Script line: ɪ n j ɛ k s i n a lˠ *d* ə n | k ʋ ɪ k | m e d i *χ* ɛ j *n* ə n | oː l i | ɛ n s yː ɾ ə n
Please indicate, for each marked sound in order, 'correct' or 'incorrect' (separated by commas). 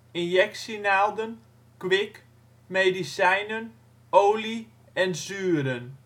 correct, incorrect, correct